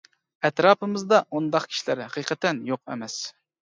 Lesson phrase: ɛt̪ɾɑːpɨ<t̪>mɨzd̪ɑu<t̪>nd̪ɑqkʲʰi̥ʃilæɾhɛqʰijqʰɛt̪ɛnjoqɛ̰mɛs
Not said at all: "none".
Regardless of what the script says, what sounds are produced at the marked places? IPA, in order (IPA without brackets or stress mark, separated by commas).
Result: none, none